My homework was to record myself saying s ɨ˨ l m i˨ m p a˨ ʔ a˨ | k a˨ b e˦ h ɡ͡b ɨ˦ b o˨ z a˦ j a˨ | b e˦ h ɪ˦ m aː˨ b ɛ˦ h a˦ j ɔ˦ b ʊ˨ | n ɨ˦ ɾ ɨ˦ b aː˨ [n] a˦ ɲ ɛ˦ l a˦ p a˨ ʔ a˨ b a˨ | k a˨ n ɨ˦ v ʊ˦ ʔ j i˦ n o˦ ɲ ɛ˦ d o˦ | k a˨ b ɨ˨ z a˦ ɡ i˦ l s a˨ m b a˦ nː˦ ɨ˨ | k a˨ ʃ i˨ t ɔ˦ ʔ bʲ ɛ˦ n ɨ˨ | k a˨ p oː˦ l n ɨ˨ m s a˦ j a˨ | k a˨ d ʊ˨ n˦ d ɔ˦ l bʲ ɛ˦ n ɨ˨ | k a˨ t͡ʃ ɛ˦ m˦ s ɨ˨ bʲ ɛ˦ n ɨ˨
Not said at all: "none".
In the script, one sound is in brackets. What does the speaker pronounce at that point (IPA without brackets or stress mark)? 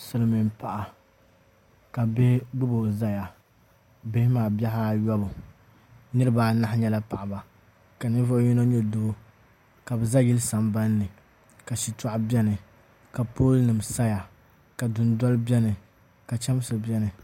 n